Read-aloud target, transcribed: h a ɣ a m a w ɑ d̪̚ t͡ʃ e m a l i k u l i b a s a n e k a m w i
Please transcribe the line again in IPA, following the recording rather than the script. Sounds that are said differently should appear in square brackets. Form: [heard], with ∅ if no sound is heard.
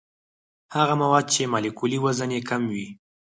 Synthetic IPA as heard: h a ɣ a m a w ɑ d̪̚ t͡ʃ e m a l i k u l i [w] a [z] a n e k a m w i